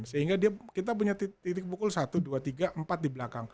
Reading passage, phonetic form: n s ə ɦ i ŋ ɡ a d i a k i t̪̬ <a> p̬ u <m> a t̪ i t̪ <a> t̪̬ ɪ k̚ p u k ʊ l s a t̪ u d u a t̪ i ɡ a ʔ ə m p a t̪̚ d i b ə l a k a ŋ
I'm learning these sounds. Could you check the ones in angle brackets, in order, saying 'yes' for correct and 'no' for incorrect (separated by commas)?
yes, no, no